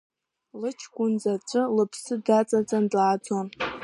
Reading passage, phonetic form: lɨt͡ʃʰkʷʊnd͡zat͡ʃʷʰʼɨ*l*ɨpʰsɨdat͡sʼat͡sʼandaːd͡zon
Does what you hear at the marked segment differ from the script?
no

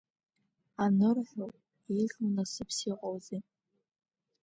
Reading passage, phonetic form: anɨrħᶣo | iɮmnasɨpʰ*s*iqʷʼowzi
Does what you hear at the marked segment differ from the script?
no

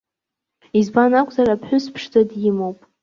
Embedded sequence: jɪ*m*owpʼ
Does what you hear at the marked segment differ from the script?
no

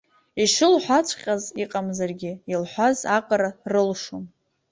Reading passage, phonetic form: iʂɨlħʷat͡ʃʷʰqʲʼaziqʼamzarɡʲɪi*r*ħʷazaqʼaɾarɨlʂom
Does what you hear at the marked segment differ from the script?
yes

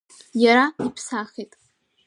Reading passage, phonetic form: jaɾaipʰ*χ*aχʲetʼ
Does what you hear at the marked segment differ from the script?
yes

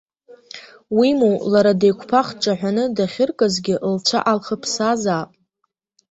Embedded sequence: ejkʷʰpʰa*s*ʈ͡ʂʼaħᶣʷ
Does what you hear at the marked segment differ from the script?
yes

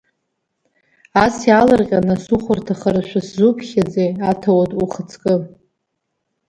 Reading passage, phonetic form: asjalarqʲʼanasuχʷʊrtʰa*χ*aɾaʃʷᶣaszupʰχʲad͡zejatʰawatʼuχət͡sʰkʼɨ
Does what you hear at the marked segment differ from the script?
no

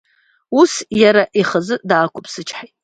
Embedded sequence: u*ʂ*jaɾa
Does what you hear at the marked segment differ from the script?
yes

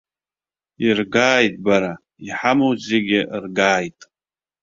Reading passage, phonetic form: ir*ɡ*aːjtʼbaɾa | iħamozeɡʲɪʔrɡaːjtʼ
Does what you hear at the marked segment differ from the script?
no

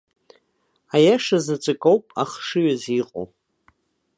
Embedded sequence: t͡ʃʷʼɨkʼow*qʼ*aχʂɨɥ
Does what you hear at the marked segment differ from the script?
yes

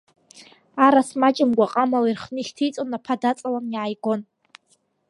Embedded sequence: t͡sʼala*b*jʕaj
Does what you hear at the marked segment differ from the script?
yes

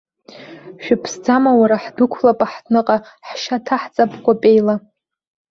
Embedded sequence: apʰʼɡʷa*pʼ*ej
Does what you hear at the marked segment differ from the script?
no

